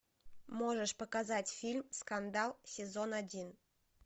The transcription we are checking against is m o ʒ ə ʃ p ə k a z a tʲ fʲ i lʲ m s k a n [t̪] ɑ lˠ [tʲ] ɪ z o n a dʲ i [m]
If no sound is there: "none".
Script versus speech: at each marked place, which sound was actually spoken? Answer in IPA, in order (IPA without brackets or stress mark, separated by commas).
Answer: d̪, sʲ, n